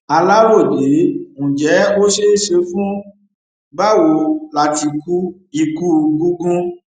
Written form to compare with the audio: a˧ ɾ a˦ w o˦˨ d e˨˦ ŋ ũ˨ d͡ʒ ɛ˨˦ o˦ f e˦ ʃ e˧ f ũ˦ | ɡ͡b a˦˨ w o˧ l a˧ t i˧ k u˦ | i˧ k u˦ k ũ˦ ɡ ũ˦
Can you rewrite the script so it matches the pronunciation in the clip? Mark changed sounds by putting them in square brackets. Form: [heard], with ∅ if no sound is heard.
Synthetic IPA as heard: a˧ [l] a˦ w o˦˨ d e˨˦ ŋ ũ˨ d͡ʒ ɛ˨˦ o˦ [ʃ] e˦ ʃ e˧ f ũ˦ | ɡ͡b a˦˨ w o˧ l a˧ t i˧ k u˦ | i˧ k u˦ [ɡ] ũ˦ ɡ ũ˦